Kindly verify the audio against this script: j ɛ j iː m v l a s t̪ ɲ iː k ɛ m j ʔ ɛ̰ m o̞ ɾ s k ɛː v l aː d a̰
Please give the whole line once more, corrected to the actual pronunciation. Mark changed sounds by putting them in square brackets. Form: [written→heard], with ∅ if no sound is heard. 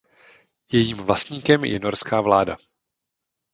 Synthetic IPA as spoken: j ɛ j iː m v l a s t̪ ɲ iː k ɛ m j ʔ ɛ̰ [m→n] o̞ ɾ s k [ɛː→aː] v l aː d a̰